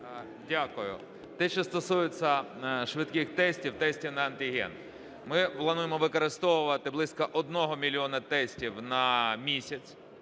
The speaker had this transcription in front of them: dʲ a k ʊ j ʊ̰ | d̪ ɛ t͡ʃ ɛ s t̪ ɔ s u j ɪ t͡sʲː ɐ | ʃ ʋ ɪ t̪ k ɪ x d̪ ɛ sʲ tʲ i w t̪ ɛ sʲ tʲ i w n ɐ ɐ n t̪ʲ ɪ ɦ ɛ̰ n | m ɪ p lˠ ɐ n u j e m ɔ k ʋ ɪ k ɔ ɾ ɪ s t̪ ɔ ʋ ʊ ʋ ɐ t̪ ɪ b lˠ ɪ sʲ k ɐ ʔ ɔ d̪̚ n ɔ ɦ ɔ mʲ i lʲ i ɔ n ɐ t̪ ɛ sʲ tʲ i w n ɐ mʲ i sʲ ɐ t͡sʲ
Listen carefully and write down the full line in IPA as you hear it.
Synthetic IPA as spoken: dʲ a k ʊ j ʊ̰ | t̪ ɛ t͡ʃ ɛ s t̪ ɔ s u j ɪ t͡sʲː ɐ | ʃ ʋ ɪ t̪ k ɪ x t̪ ɛ sʲ tʲ i w t̪ ɛ sʲ tʲ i w n ɐ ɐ n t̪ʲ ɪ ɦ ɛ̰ n | m ɪ p lˠ ɐ n u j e m ɔ ʋ ɪ k ɔ ɾ ɪ s t̪ ɔ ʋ ʊ ʋ ɐ t̪ ɪ b lˠ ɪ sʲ k ɐ ʔ ɔ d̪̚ n ɔ ɦ ɔ mʲ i lʲ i ɔ n ɐ t̪ ɛ sʲ tʲ i w n ɐ mʲ i sʲ ɐ t͡sʲ